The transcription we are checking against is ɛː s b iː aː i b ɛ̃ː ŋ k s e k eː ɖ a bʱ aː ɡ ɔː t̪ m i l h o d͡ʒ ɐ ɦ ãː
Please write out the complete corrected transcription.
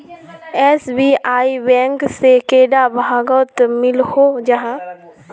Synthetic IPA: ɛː s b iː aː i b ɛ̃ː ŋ k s e k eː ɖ a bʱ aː ɡ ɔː t̪ m ɪ l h o d͡ʒ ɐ ɦ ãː